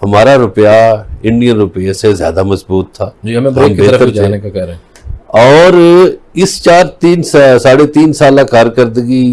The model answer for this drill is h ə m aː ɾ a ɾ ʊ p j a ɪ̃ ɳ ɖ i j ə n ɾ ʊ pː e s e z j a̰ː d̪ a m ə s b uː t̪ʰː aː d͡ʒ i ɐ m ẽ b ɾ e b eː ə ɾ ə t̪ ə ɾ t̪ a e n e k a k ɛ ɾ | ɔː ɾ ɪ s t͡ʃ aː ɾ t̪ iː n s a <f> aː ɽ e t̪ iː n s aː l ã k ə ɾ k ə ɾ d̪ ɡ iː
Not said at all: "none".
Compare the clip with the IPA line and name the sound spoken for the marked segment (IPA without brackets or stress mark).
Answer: s